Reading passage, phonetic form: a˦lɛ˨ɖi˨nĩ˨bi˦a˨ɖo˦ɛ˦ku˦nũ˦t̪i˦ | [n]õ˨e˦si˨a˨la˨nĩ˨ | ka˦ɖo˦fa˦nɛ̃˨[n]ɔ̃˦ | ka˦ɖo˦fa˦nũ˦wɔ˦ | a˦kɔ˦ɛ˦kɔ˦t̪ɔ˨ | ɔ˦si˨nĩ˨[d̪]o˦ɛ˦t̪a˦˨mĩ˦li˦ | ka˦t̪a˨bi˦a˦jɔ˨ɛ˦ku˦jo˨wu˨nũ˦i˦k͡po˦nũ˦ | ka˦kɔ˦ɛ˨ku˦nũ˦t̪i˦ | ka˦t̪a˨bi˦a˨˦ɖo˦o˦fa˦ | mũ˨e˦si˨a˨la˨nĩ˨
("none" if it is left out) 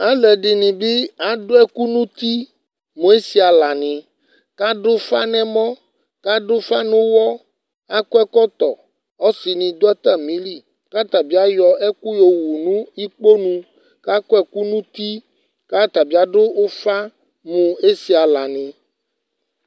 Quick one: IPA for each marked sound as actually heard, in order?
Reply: m, m, d̪

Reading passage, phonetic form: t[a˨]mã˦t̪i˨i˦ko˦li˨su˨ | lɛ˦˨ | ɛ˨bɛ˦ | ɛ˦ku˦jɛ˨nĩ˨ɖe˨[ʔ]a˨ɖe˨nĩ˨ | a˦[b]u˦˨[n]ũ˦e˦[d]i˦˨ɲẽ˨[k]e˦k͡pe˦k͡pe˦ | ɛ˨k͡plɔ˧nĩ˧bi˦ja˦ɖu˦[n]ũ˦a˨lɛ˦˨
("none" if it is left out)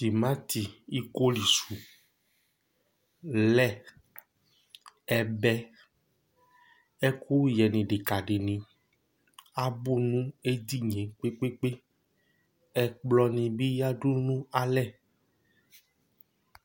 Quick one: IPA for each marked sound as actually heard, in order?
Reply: i˨, k, b, n, d, k͡p, n

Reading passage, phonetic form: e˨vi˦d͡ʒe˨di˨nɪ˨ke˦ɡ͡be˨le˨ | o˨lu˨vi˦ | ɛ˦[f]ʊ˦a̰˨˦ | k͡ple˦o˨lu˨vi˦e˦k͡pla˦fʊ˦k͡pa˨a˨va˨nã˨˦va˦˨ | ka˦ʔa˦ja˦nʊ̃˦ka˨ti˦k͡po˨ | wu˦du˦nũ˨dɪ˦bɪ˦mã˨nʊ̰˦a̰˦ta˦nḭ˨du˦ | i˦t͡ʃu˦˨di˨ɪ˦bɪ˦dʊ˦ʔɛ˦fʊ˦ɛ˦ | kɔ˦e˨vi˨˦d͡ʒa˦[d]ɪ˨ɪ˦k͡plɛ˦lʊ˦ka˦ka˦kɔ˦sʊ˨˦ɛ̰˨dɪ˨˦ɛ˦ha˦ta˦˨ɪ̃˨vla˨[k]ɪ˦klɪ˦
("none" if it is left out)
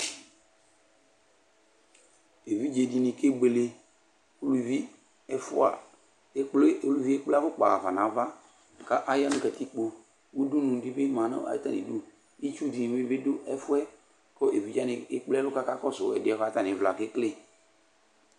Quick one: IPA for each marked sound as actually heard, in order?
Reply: f, n, k

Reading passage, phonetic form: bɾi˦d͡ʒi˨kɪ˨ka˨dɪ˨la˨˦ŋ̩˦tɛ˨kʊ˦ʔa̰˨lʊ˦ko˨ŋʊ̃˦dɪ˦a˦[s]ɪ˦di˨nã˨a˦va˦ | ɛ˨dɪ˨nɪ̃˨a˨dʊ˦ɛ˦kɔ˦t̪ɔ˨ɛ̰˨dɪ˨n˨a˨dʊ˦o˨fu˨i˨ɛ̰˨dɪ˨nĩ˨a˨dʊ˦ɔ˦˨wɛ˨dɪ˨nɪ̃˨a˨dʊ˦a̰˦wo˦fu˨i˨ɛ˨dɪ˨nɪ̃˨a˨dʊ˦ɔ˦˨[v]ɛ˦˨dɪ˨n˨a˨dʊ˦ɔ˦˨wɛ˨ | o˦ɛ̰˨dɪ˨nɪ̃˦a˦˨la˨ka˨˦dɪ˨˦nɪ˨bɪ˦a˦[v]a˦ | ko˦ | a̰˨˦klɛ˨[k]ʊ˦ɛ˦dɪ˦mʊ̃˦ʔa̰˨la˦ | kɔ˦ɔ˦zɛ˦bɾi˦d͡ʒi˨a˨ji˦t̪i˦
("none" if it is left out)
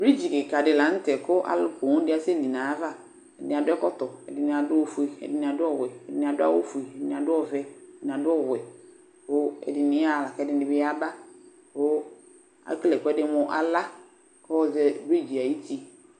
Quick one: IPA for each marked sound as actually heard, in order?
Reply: s, v, b, k

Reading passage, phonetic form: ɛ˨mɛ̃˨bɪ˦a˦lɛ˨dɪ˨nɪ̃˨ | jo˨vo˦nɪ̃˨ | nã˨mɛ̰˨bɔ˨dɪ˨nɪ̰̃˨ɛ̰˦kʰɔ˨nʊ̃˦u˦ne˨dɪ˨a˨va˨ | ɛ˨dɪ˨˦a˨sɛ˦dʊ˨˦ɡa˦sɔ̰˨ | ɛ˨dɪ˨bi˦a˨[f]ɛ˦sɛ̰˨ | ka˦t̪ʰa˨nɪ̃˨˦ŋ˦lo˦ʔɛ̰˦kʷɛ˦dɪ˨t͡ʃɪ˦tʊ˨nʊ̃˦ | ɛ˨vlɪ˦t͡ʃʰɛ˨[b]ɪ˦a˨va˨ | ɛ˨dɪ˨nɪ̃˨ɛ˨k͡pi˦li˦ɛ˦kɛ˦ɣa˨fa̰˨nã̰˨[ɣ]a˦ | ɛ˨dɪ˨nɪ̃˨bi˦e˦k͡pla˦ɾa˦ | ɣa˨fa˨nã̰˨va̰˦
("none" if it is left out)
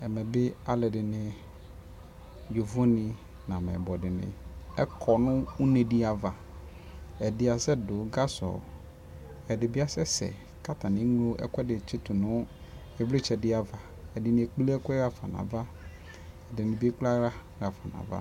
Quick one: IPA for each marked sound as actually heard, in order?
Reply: s, d, v

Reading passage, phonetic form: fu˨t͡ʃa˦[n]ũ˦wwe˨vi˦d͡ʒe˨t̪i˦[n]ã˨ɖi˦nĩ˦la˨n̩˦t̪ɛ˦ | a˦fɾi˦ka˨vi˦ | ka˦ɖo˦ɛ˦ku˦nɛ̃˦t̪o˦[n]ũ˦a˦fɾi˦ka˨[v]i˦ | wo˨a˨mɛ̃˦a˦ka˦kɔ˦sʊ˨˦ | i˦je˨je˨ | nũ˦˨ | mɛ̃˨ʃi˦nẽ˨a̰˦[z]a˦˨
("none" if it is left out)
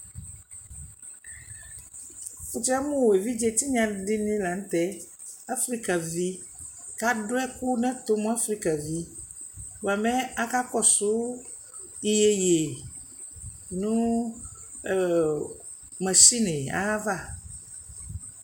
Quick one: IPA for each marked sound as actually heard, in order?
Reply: m, ɲ, m, v, v

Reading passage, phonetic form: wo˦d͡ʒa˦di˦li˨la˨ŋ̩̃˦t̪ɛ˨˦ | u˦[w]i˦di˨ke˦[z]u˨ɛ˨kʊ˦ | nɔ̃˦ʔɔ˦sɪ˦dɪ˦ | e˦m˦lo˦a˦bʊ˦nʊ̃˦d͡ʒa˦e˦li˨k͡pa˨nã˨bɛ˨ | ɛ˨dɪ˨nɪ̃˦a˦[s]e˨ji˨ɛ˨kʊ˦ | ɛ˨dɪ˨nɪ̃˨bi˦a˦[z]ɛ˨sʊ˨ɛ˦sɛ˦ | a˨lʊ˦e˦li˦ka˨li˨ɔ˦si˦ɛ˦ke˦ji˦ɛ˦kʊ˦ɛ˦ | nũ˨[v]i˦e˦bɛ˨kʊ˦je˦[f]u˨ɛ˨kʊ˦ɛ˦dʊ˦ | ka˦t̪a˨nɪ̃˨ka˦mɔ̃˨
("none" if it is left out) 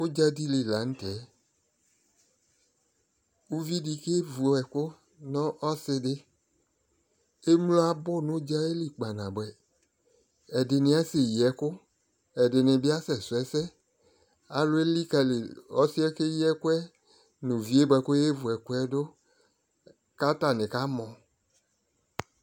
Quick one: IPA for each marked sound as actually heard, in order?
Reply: v, v, s, s, v, v

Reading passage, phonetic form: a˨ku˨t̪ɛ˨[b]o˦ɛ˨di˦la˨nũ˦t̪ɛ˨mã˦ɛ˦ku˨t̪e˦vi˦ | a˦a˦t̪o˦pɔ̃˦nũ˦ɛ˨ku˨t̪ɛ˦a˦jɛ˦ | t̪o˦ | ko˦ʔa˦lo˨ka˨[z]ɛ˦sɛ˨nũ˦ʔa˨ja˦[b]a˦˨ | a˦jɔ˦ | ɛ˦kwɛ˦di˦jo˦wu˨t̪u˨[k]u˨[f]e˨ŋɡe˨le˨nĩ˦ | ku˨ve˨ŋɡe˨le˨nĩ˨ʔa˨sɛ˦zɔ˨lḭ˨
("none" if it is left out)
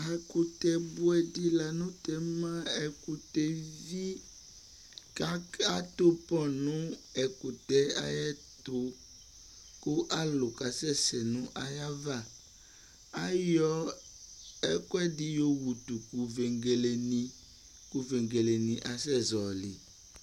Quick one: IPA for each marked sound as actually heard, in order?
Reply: b, s, v, k, v

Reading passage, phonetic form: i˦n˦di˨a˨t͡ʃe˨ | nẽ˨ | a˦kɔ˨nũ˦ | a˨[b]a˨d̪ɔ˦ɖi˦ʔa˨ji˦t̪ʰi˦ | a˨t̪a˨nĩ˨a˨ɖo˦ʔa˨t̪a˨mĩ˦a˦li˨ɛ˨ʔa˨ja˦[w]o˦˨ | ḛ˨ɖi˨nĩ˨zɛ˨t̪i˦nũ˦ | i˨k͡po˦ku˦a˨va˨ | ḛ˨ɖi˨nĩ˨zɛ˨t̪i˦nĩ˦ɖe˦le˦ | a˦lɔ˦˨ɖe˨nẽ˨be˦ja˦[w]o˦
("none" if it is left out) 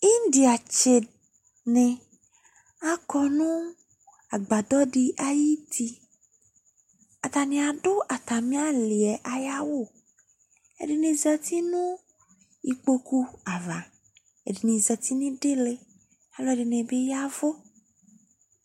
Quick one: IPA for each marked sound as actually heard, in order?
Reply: ɡ͡b, w, v

